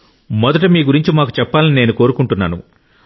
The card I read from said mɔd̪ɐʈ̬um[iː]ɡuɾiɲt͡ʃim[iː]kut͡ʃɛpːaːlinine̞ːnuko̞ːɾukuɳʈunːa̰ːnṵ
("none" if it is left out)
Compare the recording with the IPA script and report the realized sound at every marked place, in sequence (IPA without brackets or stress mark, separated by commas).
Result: iː, aː